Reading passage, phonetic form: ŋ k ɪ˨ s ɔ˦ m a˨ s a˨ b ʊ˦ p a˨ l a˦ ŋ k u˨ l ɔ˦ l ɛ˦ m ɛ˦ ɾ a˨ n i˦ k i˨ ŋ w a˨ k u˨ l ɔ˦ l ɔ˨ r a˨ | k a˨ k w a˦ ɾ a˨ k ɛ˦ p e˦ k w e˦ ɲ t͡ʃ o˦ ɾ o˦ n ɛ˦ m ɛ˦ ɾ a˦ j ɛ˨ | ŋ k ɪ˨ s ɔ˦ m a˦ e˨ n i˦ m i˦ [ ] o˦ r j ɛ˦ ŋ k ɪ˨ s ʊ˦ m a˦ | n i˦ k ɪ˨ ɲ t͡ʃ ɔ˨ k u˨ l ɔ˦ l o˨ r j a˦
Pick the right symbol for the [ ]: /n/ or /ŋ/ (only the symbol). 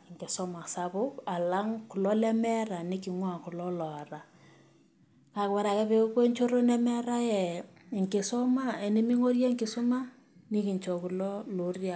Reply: ŋ